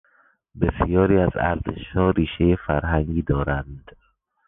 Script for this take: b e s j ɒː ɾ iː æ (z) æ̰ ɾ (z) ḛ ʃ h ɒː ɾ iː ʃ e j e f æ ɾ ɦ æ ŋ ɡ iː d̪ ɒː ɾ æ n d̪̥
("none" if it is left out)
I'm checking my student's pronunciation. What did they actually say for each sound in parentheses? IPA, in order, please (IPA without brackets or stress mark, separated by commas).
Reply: z, z